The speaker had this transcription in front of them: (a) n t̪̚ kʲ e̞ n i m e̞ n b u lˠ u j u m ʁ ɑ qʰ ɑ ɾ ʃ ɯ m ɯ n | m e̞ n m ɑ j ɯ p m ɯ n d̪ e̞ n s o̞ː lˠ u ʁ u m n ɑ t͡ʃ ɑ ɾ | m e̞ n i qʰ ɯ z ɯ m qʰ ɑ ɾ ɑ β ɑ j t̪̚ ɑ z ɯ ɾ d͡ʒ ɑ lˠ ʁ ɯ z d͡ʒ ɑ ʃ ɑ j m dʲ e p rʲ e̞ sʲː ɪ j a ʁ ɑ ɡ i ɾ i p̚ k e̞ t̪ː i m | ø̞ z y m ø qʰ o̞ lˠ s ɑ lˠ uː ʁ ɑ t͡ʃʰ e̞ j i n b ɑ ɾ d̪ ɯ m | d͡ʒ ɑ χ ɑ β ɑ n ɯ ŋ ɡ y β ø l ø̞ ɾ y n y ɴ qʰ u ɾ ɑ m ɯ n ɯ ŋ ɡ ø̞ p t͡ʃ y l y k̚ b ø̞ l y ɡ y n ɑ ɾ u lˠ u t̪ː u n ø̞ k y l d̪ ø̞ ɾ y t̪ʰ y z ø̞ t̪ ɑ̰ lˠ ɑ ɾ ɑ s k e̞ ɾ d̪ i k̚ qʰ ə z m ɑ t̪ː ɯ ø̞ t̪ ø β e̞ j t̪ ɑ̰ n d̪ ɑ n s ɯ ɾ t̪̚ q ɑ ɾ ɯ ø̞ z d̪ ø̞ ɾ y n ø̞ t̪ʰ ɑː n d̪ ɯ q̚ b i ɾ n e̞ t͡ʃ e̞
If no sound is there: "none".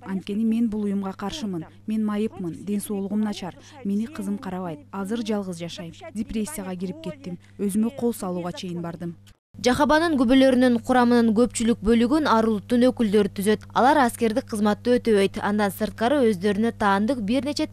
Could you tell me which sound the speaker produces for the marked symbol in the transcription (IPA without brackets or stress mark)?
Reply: ɑ